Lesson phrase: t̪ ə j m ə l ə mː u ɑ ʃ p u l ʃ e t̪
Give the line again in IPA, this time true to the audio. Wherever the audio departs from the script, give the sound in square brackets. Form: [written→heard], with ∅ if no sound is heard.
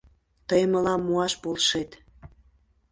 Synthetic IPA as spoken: t̪ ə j m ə l [ə→ɑ] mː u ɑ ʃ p [u→o] l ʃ e t̪